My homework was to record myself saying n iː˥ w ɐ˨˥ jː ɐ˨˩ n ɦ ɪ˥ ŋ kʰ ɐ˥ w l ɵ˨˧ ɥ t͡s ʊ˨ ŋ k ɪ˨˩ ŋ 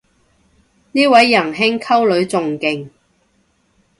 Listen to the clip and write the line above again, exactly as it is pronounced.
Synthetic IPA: n iː˥ w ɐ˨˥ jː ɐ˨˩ n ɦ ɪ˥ ŋ kʰ ɐ˥ w l ɵ˨˧ ɥ t͡s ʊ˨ ŋ k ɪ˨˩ ŋ